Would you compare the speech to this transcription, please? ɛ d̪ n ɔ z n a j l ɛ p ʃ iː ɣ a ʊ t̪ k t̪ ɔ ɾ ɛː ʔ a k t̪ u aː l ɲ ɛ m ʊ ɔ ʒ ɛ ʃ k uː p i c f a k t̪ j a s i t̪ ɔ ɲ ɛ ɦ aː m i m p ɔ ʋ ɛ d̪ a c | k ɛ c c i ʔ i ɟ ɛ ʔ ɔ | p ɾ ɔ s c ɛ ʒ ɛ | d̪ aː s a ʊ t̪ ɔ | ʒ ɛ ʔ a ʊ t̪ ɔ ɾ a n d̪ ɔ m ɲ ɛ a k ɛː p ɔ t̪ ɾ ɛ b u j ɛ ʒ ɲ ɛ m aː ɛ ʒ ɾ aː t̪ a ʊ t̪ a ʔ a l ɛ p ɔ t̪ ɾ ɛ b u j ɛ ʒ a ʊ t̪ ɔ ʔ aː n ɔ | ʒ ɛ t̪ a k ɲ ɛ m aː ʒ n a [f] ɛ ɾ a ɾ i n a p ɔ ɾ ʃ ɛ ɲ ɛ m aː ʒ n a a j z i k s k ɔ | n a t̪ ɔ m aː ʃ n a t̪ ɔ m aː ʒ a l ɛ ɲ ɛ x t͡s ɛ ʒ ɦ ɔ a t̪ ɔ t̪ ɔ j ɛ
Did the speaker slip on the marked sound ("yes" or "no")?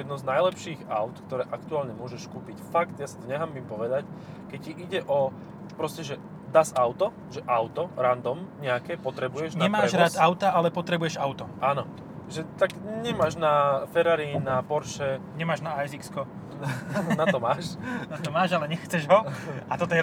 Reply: no